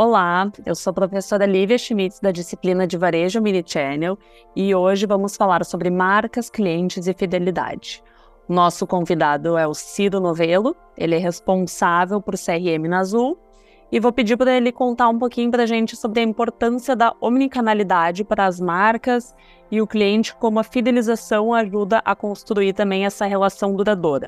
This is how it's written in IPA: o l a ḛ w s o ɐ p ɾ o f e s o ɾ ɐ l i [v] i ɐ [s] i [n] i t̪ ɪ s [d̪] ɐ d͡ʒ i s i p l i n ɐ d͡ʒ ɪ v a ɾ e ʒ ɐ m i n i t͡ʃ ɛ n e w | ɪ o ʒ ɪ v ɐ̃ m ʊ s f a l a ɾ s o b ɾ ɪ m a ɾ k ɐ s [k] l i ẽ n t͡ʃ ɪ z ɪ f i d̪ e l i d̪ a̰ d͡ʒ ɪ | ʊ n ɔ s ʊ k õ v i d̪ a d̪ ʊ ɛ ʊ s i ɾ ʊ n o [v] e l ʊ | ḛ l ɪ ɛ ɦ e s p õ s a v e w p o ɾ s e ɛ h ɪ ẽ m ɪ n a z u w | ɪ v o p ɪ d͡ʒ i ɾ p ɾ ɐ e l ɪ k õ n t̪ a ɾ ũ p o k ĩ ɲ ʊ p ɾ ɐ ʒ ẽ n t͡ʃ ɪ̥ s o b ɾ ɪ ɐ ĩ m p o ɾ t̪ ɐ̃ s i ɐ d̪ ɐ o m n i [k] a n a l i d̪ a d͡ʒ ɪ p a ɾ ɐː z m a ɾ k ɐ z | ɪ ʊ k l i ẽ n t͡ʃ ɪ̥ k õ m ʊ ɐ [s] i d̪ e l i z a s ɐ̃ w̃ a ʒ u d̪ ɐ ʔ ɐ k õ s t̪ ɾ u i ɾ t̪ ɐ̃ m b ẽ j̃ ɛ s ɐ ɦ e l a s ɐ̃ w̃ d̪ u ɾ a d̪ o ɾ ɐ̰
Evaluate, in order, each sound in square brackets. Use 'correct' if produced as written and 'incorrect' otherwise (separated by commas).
correct, incorrect, incorrect, correct, correct, correct, correct, incorrect